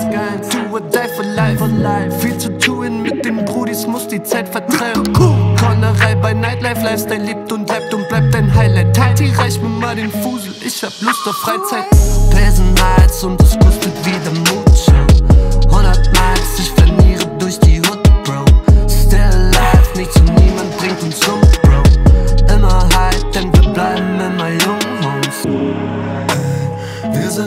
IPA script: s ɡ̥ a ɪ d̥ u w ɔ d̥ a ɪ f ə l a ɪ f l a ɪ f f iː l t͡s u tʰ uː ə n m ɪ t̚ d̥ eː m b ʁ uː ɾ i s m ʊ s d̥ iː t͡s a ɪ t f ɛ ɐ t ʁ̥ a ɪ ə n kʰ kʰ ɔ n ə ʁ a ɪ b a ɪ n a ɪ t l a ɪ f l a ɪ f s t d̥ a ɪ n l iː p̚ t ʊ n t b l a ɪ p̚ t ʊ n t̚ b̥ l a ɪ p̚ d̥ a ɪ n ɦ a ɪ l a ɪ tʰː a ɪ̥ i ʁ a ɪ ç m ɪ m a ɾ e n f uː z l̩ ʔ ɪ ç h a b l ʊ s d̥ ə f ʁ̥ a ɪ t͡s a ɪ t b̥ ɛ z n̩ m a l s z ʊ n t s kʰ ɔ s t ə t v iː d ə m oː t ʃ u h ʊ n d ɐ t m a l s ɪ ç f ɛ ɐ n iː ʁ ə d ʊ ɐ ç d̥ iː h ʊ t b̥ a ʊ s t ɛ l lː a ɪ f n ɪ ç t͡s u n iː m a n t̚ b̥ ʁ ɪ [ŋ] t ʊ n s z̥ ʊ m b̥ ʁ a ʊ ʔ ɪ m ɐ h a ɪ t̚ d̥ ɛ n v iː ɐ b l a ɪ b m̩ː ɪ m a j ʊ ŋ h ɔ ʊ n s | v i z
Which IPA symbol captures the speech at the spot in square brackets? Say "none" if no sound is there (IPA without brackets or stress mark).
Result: ŋ